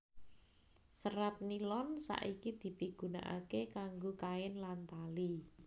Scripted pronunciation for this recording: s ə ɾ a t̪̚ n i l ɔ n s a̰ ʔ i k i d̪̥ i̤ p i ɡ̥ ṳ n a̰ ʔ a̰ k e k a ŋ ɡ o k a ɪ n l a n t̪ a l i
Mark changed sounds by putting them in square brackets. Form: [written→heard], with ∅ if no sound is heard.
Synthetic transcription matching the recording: s ə ɾ a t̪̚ n i l ɔ n s a̰ ʔ i k i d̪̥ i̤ p i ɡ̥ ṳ n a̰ ʔ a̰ k e k a ŋ ɡ o k a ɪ n l a n t̪ a l i